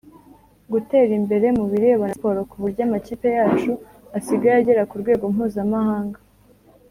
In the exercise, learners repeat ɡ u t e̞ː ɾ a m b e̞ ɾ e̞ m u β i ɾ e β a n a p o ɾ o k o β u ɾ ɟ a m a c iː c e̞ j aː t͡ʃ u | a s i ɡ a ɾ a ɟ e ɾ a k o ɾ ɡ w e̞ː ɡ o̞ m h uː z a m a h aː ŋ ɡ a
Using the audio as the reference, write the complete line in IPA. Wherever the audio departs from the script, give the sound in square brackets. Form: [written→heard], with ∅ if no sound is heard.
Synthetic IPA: ɡ u t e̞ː ɾ [a→i] m b e̞ ɾ e̞ m u β i ɾ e β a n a p o ɾ o k [o→u] β u ɾ ɟ a m a c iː [c→p] e̞ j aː t͡ʃ u | a s i ɡ a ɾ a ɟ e ɾ a k [o→u] ɾ ɡ w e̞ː ɡ o̞ m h uː z a m a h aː ŋ ɡ a